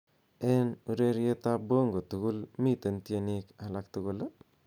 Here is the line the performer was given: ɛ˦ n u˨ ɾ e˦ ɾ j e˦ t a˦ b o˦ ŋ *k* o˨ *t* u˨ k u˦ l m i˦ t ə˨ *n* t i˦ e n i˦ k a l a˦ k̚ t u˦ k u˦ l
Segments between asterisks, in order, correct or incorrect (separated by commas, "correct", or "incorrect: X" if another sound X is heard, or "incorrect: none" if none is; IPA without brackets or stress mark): incorrect: ɡ, correct, correct